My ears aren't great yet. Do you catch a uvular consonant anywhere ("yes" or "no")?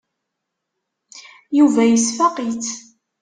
yes